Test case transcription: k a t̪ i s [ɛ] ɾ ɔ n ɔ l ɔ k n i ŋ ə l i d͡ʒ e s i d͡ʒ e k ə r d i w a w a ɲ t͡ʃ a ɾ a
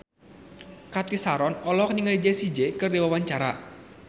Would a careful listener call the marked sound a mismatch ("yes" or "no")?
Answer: yes